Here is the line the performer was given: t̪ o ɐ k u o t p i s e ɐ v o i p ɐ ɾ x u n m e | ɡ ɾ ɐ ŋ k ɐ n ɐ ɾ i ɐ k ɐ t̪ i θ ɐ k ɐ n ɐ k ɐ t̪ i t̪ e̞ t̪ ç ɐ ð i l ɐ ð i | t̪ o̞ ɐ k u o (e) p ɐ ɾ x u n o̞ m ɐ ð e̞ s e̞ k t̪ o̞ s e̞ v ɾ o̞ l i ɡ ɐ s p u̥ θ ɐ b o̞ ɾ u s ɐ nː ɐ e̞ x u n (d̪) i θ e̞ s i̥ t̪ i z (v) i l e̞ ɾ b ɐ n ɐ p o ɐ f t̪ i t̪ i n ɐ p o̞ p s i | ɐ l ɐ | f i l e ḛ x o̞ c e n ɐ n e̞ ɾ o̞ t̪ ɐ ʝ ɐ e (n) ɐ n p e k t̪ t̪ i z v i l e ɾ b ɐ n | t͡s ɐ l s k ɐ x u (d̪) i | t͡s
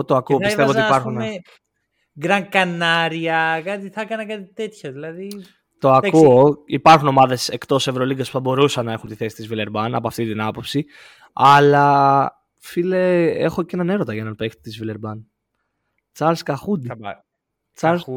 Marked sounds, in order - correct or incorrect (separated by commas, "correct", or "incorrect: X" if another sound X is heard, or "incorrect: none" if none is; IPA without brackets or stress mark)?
incorrect: i, incorrect: t̪, correct, correct, correct